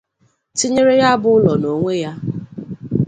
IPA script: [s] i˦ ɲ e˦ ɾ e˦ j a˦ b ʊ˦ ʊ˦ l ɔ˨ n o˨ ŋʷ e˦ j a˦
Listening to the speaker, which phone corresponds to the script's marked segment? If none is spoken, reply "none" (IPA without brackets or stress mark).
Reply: t